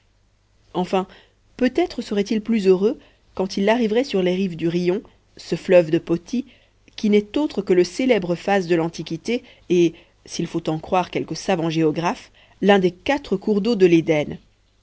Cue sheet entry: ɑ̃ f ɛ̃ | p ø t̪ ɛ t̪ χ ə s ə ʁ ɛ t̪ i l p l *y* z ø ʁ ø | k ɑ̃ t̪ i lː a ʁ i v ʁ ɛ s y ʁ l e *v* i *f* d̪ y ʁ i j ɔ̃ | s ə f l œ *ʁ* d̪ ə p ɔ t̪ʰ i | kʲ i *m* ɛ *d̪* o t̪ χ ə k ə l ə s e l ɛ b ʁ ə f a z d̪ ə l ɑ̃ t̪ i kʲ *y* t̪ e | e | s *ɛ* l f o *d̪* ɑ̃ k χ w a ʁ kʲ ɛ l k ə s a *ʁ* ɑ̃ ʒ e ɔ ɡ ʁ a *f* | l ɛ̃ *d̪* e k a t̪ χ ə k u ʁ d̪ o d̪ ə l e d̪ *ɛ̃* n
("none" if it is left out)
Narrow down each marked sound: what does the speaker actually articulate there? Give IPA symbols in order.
y, ʁ, v, v, n, t̪, i, i, t̪, v, f, d̪, ɛ

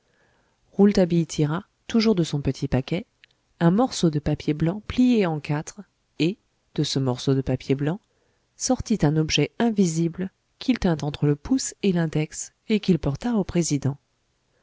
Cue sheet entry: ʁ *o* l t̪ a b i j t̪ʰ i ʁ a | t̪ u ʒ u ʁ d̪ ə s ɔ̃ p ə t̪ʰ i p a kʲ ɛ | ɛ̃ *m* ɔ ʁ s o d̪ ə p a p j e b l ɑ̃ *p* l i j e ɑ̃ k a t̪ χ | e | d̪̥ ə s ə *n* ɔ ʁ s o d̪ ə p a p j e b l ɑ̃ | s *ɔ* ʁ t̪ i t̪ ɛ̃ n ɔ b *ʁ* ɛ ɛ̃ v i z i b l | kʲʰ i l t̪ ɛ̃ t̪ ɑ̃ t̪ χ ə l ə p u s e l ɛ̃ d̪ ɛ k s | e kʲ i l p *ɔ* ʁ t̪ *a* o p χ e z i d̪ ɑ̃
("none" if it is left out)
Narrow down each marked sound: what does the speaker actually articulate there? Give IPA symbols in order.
u, m, p, m, ɔ, ʒ, ɔ, a

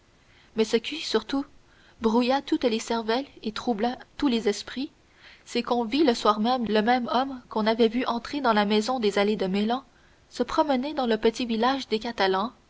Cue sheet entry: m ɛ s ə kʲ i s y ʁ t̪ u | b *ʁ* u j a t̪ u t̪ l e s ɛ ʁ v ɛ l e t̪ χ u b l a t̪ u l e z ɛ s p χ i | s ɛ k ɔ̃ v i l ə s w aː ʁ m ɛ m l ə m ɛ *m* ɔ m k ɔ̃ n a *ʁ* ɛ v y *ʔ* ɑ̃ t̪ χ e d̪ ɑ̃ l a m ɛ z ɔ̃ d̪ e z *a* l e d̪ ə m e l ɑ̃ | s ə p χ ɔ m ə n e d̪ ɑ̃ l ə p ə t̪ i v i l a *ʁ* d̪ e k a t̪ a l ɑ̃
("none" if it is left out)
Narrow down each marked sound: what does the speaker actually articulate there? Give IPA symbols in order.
ʁ, m, v, ʔ, a, ʒ

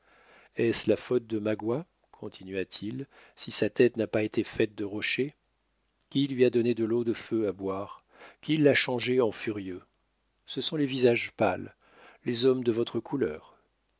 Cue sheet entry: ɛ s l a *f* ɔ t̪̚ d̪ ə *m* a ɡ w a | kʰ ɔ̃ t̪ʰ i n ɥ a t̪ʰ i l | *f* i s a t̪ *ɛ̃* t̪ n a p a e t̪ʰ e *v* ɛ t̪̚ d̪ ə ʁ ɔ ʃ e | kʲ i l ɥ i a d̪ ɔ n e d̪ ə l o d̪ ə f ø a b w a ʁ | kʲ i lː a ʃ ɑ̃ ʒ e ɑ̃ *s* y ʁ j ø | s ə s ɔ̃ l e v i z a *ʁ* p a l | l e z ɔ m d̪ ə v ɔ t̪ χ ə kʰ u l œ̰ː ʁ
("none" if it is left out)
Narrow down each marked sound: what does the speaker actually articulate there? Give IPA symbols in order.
f, m, s, ɛ, f, f, ʒ

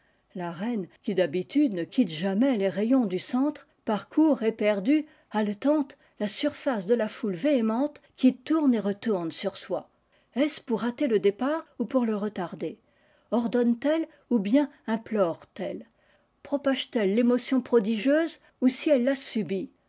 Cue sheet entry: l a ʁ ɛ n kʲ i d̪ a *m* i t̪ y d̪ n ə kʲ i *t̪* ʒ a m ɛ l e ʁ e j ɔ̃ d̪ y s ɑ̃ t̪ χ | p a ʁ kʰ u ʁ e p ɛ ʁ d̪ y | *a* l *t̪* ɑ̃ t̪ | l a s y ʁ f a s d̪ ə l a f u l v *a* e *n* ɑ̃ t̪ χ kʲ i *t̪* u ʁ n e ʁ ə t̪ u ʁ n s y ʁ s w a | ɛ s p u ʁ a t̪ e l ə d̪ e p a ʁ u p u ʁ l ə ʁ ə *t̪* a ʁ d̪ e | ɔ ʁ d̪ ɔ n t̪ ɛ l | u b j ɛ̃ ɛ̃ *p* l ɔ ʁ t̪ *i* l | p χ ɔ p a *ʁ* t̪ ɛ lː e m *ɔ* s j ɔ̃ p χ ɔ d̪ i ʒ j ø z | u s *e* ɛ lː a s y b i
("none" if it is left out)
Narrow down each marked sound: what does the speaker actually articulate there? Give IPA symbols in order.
b, t̪, a, t̪, e, m, t̪, t̪, p, ɛ, ʒ, ɔ, i

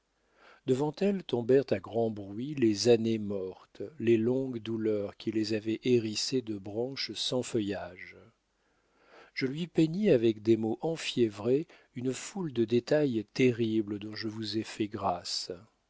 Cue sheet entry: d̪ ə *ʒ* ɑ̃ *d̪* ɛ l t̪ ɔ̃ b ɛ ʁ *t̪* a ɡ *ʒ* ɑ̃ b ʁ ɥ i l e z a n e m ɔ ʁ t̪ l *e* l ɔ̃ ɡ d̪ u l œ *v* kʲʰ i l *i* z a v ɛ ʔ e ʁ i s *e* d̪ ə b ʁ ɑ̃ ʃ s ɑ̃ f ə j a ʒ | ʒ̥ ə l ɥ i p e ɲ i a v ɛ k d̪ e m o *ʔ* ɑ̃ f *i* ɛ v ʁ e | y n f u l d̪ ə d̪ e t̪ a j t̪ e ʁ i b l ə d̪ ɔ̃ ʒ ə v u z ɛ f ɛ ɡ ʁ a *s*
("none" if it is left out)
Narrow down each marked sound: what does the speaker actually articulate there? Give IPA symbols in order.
v, t̪, t̪, ʁ, e, ʁ, e, e, ʔ, j, s

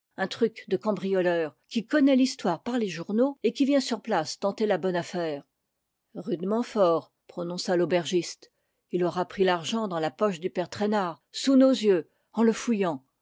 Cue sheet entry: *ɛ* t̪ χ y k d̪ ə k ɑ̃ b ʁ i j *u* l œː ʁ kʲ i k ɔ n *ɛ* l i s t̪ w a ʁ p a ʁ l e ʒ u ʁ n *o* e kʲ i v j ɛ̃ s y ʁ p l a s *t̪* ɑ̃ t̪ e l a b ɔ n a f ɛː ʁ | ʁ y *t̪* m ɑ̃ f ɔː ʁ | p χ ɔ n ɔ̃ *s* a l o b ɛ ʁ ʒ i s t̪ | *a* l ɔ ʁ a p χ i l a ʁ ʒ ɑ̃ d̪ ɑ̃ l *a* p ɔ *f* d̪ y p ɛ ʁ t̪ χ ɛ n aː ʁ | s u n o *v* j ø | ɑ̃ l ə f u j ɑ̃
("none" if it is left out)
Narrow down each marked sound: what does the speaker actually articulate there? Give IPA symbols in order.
ɛ̃, ɔ, ɛ, o, t̪, d̪, s, i, a, ʃ, z

